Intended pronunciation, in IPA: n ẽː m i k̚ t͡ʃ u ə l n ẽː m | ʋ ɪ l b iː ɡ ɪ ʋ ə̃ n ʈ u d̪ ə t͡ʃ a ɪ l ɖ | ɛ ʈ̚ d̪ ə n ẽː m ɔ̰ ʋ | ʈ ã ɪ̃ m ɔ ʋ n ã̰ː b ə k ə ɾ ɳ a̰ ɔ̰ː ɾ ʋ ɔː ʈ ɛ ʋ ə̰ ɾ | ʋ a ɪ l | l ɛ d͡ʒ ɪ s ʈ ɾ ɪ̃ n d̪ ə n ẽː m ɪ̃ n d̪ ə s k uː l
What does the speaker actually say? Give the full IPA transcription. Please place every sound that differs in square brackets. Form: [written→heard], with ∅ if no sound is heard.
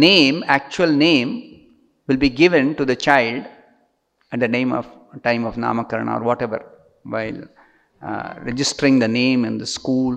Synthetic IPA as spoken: n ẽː m [i→æ] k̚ t͡ʃ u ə l n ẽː m | ʋ ɪ l b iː ɡ ɪ ʋ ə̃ n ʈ u d̪ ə t͡ʃ a ɪ l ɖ | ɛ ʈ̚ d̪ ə n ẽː m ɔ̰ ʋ | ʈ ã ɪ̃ m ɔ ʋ n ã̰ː [b→m] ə k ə ɾ ɳ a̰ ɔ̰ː ɾ ʋ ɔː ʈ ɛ ʋ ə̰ ɾ | ʋ a ɪ l | [l→ɾ] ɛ d͡ʒ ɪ s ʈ ɾ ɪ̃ [n→ŋ] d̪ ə n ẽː m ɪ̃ n d̪ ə s k uː l